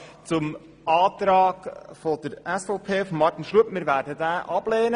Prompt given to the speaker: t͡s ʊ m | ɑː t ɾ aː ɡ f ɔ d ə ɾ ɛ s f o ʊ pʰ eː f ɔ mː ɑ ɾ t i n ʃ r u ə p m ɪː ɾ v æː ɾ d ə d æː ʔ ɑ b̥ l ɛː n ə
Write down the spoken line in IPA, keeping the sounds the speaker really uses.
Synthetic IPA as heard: t͡s ʊ m | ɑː t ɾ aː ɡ f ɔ d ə ɾ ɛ s f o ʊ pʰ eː f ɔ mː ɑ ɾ t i n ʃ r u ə p m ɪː ɾ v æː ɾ d ə d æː ʔ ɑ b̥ l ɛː n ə